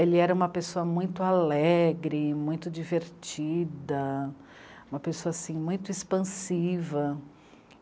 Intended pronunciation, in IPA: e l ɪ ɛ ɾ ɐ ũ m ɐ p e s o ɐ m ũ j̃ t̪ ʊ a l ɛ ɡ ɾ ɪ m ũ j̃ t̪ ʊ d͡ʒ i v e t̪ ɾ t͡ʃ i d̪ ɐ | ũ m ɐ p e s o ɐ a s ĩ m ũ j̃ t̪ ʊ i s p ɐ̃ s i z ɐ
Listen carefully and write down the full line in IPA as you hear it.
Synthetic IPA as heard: e l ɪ ɛ ɾ ɐ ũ m ɐ p e s o ɐ m ũ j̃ t̪ ʊ a l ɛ ɡ ɾ ɪ m ũ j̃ t̪ ʊ d͡ʒ i v e ɾ t͡ʃ i d̪ ɐ | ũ m ɐ p e s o ɐ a s ĩ m ũ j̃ t̪ ʊ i s p ɐ̃ s i v ɐ